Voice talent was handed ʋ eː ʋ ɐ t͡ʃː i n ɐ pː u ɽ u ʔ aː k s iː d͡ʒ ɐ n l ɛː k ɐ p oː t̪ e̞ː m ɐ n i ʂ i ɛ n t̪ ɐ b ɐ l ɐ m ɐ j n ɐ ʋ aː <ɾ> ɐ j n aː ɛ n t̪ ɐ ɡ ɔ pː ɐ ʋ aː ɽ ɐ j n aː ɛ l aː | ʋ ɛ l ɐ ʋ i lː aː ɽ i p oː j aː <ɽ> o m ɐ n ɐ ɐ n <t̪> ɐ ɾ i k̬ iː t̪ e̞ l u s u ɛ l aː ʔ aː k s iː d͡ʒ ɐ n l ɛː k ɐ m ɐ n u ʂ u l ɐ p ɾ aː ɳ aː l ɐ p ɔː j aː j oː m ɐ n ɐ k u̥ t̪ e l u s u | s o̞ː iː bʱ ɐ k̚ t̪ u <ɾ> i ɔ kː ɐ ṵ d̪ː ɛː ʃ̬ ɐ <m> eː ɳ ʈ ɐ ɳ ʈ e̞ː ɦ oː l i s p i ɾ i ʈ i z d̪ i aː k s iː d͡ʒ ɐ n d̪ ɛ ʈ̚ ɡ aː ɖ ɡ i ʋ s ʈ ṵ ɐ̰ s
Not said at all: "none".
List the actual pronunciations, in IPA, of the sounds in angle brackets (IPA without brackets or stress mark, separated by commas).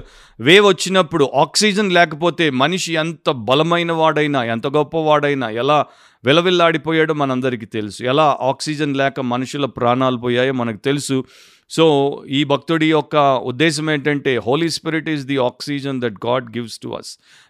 ɽ, ɽ, d̪, ɽ, m